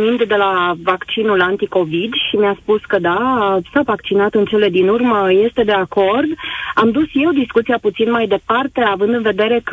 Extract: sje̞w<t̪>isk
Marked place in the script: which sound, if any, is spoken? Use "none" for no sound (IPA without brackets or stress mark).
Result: d̪